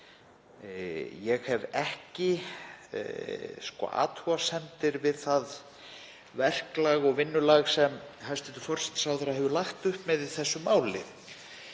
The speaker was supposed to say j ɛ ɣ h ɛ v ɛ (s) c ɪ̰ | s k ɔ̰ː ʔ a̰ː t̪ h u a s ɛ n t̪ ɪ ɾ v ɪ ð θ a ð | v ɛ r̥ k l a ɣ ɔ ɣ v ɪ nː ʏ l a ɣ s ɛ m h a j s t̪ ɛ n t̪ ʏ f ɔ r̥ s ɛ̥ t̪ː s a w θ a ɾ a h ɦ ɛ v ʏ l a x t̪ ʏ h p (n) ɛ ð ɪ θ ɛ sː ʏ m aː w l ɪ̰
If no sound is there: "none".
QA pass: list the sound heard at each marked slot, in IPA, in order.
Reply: h, m

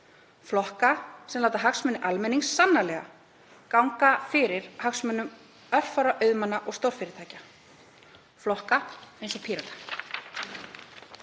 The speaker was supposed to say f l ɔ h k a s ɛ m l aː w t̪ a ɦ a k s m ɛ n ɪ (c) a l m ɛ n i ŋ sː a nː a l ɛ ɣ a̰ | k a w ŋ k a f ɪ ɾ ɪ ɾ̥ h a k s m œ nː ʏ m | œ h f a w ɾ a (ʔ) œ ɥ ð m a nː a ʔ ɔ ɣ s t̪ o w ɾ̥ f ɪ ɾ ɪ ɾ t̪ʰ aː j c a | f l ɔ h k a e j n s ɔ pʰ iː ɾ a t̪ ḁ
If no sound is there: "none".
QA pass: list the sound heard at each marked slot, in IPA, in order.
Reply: ʔ, ʔ

